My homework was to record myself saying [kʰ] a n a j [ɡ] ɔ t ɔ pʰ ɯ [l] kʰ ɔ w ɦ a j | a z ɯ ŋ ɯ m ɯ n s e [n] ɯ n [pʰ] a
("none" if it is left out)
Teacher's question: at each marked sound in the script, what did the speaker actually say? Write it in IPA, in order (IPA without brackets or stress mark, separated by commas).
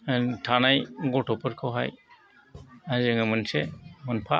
tʰ, ɡ, ɾ, m, pʰ